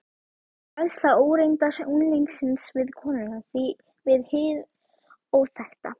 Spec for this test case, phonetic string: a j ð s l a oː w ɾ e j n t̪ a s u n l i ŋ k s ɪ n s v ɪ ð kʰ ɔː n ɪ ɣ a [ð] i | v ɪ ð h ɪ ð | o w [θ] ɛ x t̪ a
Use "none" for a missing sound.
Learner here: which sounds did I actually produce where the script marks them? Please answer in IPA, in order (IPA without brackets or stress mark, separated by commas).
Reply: θ, θ